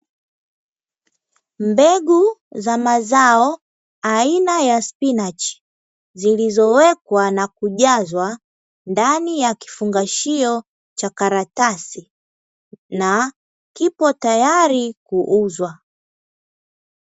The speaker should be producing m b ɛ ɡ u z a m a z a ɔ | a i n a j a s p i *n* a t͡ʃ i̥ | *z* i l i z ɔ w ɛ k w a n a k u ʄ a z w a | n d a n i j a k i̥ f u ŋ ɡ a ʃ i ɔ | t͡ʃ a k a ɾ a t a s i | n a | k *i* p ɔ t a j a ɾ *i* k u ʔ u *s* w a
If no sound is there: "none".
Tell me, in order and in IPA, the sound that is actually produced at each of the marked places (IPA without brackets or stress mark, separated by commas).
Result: n, z, i, i, z